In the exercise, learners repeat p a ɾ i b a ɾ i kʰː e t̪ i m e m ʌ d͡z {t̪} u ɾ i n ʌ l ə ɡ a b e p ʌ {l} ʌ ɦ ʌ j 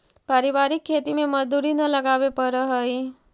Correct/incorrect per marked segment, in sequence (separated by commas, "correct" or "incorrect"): incorrect, incorrect